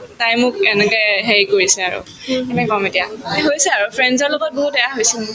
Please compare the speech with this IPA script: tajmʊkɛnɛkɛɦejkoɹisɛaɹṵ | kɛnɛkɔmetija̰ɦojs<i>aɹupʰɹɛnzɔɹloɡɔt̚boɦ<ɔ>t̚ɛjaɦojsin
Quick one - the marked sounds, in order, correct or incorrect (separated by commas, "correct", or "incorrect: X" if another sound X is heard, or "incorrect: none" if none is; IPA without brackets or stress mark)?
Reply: incorrect: ɛ, incorrect: u